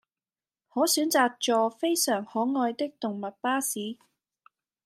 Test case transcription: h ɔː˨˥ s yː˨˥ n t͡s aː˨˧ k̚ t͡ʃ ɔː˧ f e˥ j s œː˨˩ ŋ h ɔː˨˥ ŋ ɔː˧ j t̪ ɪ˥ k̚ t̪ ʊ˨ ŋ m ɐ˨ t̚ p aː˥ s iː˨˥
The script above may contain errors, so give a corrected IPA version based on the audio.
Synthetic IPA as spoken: h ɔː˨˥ s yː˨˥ n t͡s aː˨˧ k̚ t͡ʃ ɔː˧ f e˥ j s œː˨˩ ŋ h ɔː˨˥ ŋ ɔː˧ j t̪ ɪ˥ k̚ t̪ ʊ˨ ŋ m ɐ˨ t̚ p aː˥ s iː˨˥